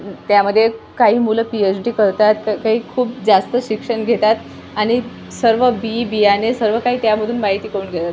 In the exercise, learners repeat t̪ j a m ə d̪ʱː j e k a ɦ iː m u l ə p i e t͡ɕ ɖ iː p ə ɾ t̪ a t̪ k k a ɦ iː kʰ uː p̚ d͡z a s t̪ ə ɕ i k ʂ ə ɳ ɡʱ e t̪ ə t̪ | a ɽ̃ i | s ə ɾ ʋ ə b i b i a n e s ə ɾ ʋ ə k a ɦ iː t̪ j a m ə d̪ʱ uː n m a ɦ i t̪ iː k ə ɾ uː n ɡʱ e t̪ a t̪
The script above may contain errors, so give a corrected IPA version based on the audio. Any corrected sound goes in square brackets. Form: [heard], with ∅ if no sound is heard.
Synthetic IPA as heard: t̪ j a m ə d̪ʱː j e k a ɦ iː m u l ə p i e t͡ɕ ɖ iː [k] ə ɾ t̪ a t̪ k k a ɦ iː kʰ uː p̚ d͡z a s t̪ ə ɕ i k ʂ ə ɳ ɡʱ e t̪ [a] t̪ | a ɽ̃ i | s ə ɾ ʋ ə b i b i a n e s ə ɾ ʋ ə k a ɦ iː t̪ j a m ə d̪ʱ uː n m a ɦ i t̪ iː k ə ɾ uː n ɡʱ e t̪ a t̪